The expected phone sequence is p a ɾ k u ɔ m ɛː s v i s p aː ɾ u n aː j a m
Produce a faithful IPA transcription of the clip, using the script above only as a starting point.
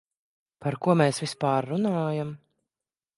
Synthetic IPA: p a ɾ k u ɔ m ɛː s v i s p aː ɾː u n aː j a m